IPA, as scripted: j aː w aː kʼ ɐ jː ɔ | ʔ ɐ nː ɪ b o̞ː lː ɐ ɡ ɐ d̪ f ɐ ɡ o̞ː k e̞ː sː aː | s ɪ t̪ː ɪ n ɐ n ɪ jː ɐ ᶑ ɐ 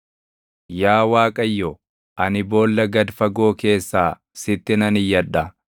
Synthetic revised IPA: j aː w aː kʼ ɐ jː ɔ | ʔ ɐ n ɪ b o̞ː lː ɐ ɡ ɐ d̪ f ɐ ɡ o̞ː k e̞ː sː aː | s ɪ t̪ː ɪ n ɐ n ɪ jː ɐ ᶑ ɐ